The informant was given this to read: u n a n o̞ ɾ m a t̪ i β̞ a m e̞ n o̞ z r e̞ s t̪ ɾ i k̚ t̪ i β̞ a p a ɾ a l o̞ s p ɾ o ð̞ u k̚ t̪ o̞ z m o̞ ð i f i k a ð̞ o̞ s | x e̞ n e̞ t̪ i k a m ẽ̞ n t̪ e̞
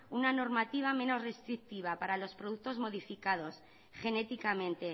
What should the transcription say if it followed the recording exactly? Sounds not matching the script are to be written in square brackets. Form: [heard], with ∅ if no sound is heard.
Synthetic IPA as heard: u n a n o̞ ɾ m a t̪ i β̞ a m e̞ n o̞ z r e̞ s t̪ ɾ i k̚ t̪ i β̞ a p a ɾ a l o̞ s p ɾ o ð̞ u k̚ t̪ o̞ z m o̞ ð i f i k a ð̞ o̞ s | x e̞ n e̞ t̪ i k a m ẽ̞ n t̪ e̞